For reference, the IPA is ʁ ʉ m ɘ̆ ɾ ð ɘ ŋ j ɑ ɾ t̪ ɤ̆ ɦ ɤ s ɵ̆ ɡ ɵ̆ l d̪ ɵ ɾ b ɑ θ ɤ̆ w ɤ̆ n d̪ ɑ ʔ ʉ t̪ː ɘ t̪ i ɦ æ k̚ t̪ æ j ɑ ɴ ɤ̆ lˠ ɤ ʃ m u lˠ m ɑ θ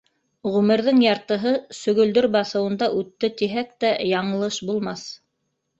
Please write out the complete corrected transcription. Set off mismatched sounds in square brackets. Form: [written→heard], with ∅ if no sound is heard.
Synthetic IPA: ʁ ʉ m ɘ̆ ɾ ð ɘ ŋ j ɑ ɾ t̪ ɤ̆ ɦ ɤ s ɵ̆ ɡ ɵ̆ l d̪ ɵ ɾ b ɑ θ ɤ̆ w ɤ̆ n d̪ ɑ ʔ ʉ t̪ː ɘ t̪ i ɦ æ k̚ t̪ æ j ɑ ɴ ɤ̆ lˠ ɤ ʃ [m→b] u lˠ m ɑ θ